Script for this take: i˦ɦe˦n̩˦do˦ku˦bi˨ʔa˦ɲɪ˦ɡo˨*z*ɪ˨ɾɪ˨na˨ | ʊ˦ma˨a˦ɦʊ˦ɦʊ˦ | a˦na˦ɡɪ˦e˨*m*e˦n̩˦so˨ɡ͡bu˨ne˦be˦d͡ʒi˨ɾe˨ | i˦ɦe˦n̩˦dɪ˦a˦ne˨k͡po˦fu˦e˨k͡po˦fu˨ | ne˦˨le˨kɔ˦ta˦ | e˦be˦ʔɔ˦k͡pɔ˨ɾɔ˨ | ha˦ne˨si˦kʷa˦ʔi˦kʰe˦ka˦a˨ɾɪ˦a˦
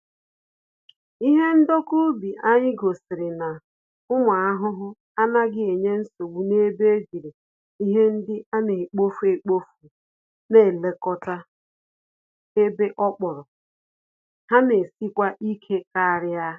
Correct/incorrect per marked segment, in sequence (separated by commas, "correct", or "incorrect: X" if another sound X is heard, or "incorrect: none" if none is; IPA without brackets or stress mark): incorrect: s, incorrect: ɲ